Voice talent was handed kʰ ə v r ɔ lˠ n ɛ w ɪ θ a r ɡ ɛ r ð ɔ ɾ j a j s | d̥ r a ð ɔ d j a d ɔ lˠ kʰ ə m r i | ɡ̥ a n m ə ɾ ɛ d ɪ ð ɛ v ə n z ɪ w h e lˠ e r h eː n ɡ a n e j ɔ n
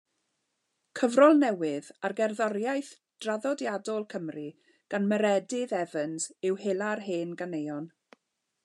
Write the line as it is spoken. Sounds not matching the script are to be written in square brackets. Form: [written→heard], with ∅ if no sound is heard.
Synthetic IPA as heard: kʰ ə v r ɔ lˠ n ɛ w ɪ [θ→ð] a r ɡ ɛ r ð ɔ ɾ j a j [s→θ] | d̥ r a ð ɔ d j a d ɔ lˠ kʰ ə m r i | ɡ̥ a n m ə ɾ ɛ d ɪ ð ɛ v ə n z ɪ w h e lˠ [e→a] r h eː n ɡ a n e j ɔ n